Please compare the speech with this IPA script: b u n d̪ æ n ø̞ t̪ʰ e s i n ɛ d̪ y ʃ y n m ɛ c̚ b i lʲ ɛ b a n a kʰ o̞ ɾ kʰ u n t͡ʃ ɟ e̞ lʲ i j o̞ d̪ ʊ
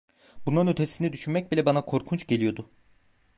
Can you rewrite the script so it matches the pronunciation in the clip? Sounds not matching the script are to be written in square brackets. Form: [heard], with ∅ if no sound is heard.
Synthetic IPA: b u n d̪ [a] n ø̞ t̪ʰ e s i n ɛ d̪ y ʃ y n m ɛ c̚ b i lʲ ɛ b a n a kʰ o̞ ɾ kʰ u n t͡ʃ ɟ e̞ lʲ i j o̞ d̪ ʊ

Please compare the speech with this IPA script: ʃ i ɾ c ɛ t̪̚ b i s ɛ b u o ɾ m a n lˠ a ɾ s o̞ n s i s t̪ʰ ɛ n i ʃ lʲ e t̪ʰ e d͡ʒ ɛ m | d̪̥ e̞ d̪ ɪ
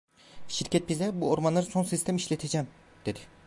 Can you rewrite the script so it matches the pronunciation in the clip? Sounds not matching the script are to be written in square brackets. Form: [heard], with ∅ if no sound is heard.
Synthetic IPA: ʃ i ɾ c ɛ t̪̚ b i [z] ɛ b u o ɾ m a n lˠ a ɾ s o̞ n s i s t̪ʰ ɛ [m] i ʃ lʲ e t̪ʰ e d͡ʒ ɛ m | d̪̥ e̞ d̪ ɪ

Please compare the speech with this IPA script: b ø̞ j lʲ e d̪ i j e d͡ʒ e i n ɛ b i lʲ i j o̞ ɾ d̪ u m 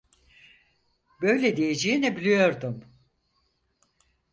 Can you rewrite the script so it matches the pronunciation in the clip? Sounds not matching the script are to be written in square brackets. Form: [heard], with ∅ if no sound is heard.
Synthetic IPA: b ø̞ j lʲ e d̪ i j e d͡ʒ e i n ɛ b i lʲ i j o̞ ɾ d̪ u m

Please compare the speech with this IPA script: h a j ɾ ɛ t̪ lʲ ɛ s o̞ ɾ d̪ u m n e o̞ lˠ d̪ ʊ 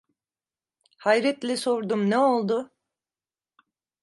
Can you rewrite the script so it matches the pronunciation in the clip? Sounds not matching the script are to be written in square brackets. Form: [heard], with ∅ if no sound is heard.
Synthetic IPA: h a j ɾ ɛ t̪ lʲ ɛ s o̞ ɾ d̪ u m n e o̞ lˠ d̪ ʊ

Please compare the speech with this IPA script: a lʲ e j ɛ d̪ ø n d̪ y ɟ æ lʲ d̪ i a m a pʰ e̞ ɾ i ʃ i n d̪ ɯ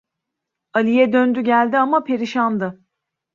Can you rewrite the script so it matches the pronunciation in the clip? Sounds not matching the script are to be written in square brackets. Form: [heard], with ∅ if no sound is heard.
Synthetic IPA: a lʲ [i] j ɛ d̪ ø n d̪ y ɟ æ lʲ d̪ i a m a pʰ e̞ ɾ i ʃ [a] n d̪ ɯ

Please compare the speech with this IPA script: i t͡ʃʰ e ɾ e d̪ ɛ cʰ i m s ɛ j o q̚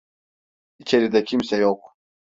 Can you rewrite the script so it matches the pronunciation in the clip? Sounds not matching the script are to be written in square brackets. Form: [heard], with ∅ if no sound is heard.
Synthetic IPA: i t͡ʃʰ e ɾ [i] d̪ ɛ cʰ i m s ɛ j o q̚

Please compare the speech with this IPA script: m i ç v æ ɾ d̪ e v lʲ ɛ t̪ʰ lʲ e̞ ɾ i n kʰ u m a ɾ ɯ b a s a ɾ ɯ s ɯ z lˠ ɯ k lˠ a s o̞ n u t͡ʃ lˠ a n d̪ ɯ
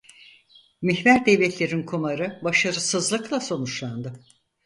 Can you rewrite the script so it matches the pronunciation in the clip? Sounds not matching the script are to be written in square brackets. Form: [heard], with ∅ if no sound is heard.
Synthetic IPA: m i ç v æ ɾ d̪ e v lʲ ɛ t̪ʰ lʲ e̞ ɾ i n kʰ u m a ɾ ɯ b a [ʃ] a ɾ ɯ s ɯ z lˠ ɯ k lˠ a s o̞ n u t͡ʃ lˠ a n d̪ ɯ

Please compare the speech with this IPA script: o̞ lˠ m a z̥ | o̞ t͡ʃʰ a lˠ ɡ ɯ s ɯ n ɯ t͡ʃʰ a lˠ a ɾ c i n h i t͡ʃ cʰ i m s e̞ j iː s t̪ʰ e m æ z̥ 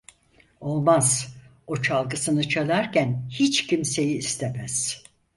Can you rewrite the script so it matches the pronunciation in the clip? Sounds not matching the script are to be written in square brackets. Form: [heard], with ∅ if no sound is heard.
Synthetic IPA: o̞ lˠ m a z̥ | o̞ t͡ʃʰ a lˠ ɡ ɯ s ɯ n ɯ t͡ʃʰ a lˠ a ɾ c [æ] n h i t͡ʃ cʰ i m s e̞ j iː s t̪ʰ e m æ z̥

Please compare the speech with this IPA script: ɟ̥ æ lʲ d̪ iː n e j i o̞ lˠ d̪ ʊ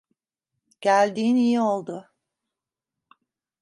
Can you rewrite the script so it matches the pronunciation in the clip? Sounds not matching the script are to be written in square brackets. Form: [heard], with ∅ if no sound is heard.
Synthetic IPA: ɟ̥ æ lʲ d̪ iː n [i] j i o̞ lˠ d̪ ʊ

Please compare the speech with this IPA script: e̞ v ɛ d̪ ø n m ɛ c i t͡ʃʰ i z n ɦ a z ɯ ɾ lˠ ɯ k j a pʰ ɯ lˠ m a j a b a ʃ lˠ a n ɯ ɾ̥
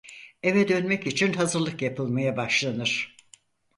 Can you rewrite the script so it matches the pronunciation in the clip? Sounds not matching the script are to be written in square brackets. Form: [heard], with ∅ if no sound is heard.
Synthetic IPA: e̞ v ɛ d̪ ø n m ɛ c i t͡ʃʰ i [∅] n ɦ a z ɯ ɾ lˠ ɯ k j a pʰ ɯ lˠ m a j a b a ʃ lˠ a n ɯ ɾ̥

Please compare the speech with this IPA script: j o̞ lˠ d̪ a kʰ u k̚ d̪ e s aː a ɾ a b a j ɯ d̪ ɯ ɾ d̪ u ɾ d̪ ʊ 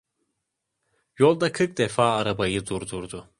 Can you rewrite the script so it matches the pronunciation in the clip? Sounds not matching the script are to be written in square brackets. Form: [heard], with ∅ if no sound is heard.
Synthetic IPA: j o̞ lˠ d̪ a kʰ [ɯ] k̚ d̪ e [f] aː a ɾ a b a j ɯ d̪ [u] ɾ d̪ u ɾ d̪ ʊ

